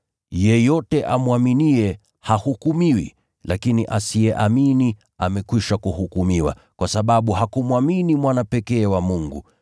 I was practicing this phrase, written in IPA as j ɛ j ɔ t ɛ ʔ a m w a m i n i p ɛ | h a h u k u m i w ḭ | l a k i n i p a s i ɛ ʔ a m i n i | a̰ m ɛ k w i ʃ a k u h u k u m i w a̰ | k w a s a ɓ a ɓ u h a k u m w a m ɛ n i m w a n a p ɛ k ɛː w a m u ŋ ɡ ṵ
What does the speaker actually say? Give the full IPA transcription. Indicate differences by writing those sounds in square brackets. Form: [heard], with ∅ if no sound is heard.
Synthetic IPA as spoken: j ɛ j ɔ t ɛ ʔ a m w a m i n i [∅] ɛ | h a h u k u m i w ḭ | l a k i n i [ʔ] a s i ɛ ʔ a m i n i | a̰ m ɛ k w i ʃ a k u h u k u m i w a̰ | k w a s a ɓ a ɓ u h a k u m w a m [i] n i m w a n a p ɛ k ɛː w a m u ŋ ɡ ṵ